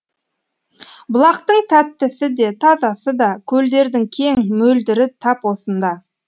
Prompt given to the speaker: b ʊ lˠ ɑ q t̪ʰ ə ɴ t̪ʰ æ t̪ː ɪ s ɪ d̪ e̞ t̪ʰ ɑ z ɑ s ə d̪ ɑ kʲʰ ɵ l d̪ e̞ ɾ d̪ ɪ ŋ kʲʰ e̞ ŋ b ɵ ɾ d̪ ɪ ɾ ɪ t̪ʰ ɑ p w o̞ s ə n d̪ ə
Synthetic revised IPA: b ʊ lˠ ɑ q t̪ ə ɴ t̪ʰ æ t̪ː ɪ s ɪ d̪ e̞ t̪ʰ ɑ z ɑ s ə d̪ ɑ kʲʰ ɵ l d̪ e̞ ɾ d̪ ɪ ŋ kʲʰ e̞ ŋ m ɵ l d̪ ɪ ɾ ɪ t̪ʰ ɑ p w o̞ s ə n d̪ ɑ